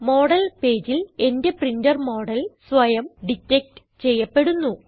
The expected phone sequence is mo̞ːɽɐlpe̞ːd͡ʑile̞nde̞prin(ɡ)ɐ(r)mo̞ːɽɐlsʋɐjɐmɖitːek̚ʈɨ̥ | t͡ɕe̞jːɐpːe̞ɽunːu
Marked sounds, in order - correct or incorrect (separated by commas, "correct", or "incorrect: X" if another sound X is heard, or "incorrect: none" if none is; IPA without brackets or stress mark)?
incorrect: d, correct